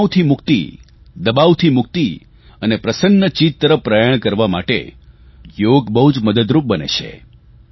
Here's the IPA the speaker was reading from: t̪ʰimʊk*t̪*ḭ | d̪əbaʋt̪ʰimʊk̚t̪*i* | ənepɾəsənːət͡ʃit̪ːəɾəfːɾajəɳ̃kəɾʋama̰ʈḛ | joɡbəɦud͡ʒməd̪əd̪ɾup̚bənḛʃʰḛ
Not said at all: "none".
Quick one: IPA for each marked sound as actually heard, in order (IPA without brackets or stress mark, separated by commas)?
t̪, i